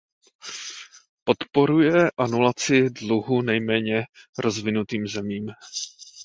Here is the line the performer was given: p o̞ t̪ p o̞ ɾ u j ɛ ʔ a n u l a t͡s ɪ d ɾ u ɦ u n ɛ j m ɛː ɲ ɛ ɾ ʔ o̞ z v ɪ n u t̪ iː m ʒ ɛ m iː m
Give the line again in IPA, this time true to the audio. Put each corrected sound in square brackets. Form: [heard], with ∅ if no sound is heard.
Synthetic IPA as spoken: p o̞ t̪ p o̞ ɾ u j ɛ ʔ a n u l a t͡s ɪ d [l] u ɦ u n ɛ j m ɛː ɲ ɛ ɾ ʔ o̞ z v ɪ n u t̪ iː m [z] ɛ m iː m